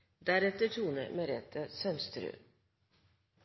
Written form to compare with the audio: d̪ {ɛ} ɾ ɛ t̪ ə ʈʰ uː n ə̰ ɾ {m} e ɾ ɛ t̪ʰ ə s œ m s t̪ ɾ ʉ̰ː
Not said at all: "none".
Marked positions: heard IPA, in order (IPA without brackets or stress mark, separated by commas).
æ, m